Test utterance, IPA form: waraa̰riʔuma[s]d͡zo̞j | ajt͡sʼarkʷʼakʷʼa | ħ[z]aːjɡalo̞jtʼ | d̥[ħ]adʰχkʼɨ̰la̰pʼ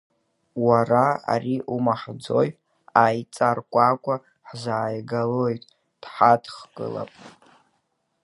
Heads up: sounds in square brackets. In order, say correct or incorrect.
incorrect: ħ, correct, correct

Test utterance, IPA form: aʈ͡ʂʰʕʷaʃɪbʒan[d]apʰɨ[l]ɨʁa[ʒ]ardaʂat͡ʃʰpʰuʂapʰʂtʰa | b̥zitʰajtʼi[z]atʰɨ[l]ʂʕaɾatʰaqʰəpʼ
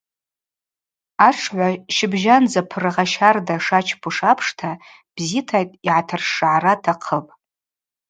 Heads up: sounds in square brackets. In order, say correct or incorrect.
incorrect: d͡z, incorrect: r, incorrect: ʃ, incorrect: ʕ, incorrect: r

